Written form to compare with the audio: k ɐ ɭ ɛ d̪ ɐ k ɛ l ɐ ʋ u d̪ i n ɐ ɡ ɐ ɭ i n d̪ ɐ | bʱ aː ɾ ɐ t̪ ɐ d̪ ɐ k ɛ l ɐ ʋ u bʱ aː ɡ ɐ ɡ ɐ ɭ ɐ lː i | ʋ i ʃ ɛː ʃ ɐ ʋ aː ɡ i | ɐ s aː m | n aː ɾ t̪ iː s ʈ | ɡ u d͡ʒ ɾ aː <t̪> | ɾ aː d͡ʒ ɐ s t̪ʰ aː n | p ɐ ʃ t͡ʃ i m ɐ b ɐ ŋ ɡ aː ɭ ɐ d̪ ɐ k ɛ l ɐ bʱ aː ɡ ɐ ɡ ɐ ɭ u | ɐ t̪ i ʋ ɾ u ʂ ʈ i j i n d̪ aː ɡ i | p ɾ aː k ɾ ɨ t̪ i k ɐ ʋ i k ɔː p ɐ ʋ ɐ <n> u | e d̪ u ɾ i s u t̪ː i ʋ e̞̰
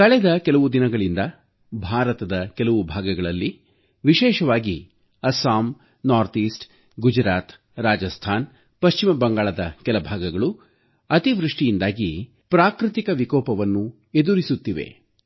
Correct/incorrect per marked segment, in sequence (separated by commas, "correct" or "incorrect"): correct, incorrect